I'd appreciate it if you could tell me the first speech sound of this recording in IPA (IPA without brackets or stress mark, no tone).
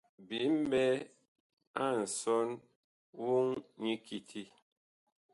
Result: b